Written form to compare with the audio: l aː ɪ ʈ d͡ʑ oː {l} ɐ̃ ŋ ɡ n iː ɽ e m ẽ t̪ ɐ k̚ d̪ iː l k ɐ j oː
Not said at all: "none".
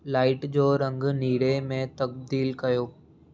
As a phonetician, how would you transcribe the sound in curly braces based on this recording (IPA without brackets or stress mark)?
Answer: ɾ